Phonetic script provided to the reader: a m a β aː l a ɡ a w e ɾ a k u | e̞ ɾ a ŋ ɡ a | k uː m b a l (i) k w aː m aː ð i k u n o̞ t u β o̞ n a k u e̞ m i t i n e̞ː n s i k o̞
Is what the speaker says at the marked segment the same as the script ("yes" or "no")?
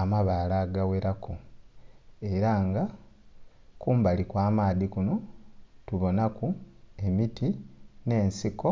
yes